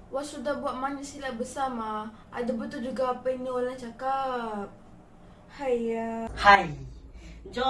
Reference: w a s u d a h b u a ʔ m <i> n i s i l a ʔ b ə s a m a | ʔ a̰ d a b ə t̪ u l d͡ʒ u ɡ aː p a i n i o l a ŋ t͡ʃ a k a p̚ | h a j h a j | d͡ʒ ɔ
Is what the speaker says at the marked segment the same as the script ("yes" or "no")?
no